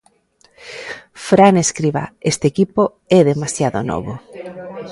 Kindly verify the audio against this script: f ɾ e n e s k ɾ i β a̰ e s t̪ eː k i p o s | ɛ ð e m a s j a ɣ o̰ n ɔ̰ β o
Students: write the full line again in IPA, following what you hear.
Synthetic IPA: f ɾ a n e s k ɾ i β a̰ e s t̪ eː k i p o | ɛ ð e m a s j a ð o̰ n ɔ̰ β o